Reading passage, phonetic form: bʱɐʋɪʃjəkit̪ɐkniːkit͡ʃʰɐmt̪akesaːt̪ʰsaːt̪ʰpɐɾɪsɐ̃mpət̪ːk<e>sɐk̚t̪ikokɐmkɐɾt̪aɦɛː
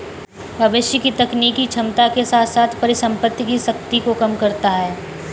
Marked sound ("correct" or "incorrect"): incorrect